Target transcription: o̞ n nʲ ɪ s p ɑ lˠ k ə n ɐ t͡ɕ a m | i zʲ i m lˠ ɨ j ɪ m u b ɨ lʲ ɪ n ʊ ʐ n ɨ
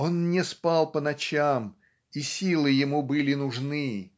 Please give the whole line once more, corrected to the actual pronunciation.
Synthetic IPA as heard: o̞ n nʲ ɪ s p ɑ lˠ p ə n ɐ t͡ɕ a m | i sʲ i lˠ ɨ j ɪ m u b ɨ lʲ ɪ n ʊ ʐ n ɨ